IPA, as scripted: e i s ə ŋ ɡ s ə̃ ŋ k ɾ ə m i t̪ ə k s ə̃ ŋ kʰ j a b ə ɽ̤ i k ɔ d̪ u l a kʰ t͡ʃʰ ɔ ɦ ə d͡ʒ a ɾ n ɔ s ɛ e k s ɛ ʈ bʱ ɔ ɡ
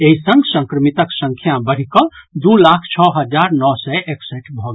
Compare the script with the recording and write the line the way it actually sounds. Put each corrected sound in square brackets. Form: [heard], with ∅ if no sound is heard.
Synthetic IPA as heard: e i s ə ŋ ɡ s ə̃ ŋ k ɾ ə m i t̪ ə k s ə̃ ŋ kʰ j a b ə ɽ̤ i k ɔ d̪ u l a kʰ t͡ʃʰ ɔ ɦ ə d͡ʒ a ɾ n ɔ s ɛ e k s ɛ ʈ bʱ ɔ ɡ